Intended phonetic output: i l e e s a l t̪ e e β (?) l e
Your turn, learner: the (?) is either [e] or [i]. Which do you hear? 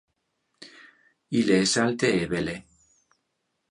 e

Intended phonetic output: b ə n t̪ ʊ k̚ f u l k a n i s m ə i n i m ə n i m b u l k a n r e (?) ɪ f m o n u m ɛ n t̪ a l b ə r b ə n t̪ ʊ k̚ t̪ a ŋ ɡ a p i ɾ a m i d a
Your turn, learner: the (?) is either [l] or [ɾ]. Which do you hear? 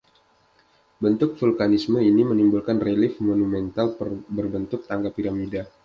l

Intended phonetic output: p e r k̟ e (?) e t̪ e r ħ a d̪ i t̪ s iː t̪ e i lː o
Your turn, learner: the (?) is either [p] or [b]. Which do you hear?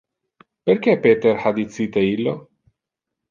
p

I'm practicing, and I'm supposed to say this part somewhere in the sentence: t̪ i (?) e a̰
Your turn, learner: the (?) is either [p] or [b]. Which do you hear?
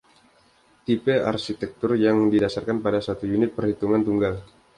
p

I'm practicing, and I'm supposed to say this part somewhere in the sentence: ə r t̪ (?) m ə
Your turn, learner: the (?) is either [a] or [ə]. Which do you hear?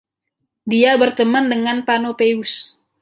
ə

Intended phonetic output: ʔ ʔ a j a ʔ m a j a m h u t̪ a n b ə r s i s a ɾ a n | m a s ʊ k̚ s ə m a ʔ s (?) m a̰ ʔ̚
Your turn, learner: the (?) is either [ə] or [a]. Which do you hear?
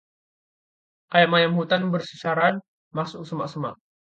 ə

